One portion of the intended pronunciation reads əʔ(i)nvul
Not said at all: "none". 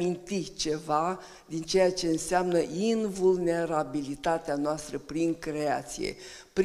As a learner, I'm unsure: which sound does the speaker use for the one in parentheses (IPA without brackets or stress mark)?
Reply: i